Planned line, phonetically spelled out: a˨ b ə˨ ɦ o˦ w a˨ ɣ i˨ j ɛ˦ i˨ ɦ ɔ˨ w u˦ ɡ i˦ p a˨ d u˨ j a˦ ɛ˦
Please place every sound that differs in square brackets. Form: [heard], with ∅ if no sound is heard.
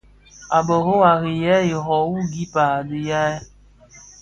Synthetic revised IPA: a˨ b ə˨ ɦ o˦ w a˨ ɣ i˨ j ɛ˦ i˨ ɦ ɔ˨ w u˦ ɡ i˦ p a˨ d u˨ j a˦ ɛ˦

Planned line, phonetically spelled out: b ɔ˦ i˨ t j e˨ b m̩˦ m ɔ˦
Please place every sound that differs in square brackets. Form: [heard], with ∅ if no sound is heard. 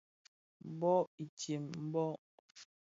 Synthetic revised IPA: b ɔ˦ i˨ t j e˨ [m] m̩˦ [b] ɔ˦

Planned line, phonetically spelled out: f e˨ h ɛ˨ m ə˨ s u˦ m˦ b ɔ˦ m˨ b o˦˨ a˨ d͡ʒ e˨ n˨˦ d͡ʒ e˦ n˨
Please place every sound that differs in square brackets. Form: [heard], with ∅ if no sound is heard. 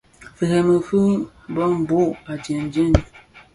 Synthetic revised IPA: f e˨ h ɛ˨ m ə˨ [f] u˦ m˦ b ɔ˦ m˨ b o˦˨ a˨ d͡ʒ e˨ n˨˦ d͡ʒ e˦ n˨

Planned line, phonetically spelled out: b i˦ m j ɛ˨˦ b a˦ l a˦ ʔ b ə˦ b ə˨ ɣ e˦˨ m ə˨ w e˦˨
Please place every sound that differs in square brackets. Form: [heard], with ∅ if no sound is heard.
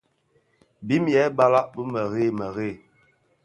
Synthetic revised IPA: b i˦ m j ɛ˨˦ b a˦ l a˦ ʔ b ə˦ [m] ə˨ ɣ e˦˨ m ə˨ [ɣ] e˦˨

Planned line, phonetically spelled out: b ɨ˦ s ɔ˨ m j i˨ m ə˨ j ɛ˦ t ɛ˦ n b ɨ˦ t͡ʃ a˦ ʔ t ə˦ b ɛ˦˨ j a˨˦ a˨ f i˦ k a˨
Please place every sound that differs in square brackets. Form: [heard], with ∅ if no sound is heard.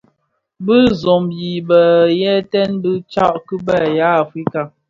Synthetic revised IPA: b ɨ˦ [z] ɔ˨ m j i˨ [b] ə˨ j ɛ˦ t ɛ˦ n b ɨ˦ t͡ʃ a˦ ʔ [k] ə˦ b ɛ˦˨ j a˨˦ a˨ f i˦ k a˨

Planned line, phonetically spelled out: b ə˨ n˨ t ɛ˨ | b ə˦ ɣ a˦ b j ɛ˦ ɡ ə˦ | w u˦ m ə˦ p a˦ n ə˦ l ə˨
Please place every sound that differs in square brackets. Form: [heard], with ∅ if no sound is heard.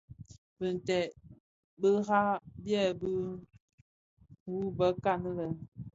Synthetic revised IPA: b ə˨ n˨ t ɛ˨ | b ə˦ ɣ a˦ b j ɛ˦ [b] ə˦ | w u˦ [b] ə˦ [k] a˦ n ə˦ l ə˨

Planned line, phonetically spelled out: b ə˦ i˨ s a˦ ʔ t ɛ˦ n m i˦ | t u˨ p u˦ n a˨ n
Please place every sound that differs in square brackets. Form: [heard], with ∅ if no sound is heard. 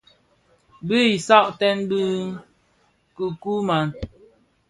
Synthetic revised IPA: b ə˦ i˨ s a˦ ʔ t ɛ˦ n [b] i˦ | [k] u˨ [k] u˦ [m] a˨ n

